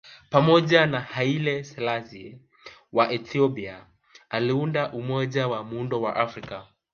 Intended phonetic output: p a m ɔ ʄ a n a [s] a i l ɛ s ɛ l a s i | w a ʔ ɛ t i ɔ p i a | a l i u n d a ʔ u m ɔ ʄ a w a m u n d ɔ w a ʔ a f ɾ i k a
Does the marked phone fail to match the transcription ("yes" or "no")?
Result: yes